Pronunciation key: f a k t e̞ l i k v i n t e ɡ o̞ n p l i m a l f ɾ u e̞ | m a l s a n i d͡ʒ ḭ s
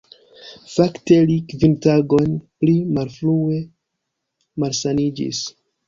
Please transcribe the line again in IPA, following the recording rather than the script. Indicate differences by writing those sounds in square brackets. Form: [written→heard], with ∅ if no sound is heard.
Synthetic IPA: f a k t e̞ l i k v i n t [e→a] ɡ o̞ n p l i m a l f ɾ u e̞ | m a l s a n i d͡ʒ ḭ s